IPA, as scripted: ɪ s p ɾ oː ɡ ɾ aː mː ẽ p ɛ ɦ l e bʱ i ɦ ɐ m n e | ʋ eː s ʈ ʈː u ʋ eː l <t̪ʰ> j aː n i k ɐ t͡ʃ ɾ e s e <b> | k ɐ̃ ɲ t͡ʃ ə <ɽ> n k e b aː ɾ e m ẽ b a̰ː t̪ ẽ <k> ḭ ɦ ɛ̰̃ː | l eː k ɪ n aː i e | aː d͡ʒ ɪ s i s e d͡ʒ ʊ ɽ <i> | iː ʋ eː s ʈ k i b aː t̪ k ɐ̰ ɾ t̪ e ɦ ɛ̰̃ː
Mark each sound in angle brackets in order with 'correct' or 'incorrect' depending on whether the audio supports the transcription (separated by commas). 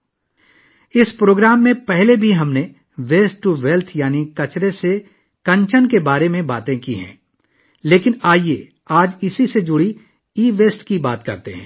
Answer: correct, incorrect, incorrect, correct, correct